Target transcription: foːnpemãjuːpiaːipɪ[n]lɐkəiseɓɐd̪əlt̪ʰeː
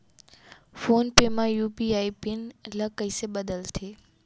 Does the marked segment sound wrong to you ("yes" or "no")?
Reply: no